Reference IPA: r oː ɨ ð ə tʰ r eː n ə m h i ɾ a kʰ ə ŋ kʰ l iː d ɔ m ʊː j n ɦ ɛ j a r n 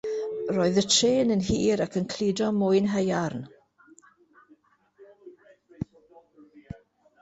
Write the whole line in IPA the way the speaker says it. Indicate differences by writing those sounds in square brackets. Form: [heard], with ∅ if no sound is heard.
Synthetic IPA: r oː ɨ ð ə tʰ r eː n ə [n] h [iː] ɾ a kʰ ə [n] kʰ l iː d ɔ m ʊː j n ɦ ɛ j a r n